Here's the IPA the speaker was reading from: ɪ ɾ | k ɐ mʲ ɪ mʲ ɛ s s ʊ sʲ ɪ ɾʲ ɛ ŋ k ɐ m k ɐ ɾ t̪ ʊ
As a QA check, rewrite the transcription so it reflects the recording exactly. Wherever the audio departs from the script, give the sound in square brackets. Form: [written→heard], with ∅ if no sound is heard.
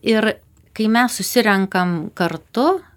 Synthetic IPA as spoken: ɪ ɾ | k ɐ [mʲ→∅] ɪ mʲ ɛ s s ʊ sʲ ɪ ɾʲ ɛ ŋ k ɐ m k ɐ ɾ t̪ ʊ

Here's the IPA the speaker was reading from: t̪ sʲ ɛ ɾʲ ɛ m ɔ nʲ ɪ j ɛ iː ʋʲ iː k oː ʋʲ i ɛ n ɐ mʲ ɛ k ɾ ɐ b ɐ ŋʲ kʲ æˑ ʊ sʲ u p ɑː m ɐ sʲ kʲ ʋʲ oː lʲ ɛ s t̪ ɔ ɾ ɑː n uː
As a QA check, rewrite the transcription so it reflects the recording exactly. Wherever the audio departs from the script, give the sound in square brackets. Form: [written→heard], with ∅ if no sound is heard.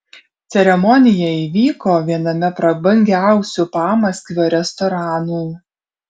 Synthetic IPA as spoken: t̪ sʲ ɛ ɾʲ ɛ m ɔ nʲ ɪ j ɛ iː ʋʲ iː k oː ʋʲ i ɛ n ɐ mʲ ɛ [k→p] ɾ ɐ b ɐ ŋʲ [kʲ→ɡʲ] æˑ ʊ sʲ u p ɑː m ɐ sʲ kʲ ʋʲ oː [lʲ→ɾʲ] ɛ s t̪ ɔ ɾ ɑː n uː

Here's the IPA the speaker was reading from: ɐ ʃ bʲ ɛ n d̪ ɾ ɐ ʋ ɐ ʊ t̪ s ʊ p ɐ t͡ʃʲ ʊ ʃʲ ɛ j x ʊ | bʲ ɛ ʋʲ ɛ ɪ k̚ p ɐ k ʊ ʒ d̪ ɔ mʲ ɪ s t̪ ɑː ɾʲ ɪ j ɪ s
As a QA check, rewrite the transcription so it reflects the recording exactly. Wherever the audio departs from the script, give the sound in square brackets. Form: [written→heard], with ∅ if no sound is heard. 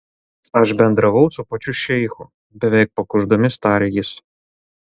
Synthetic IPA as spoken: ɐ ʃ bʲ ɛ n d̪ ɾ ɐ ʋ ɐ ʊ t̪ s ʊ p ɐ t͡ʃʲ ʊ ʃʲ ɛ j x ʊ | bʲ ɛ ʋʲ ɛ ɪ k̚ p ɐ k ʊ ʒ d̪ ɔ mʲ ɪ s t̪ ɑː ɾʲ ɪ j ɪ s

